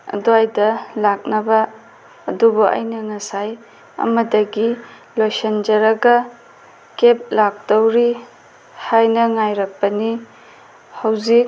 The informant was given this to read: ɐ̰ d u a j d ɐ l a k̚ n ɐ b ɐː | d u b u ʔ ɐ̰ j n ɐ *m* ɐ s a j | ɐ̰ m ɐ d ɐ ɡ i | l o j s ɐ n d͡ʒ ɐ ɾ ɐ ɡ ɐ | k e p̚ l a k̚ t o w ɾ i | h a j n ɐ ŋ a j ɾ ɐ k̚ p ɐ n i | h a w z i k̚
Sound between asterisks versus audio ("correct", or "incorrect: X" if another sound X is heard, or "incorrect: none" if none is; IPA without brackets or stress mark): incorrect: ŋ